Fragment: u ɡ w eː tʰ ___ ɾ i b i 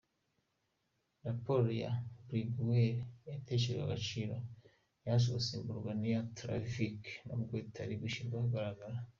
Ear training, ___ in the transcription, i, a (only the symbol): a